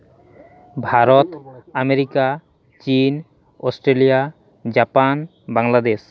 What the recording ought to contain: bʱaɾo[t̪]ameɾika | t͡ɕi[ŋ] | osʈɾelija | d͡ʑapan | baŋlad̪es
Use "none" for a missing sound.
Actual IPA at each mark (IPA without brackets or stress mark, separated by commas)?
t̪, n